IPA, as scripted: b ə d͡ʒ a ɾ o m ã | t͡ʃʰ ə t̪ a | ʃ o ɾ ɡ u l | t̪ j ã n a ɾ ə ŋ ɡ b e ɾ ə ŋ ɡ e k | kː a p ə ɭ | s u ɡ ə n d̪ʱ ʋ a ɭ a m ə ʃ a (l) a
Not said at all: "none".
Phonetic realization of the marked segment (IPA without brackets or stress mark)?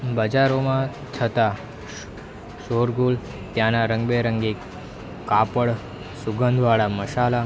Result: l